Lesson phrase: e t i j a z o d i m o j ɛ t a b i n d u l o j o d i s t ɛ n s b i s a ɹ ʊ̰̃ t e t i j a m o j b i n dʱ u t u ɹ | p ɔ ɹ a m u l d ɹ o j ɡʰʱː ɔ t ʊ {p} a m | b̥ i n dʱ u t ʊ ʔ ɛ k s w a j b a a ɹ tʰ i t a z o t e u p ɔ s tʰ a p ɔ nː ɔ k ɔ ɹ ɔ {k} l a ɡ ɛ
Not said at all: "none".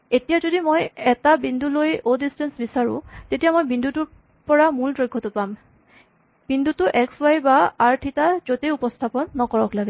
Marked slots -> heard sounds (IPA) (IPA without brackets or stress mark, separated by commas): p, k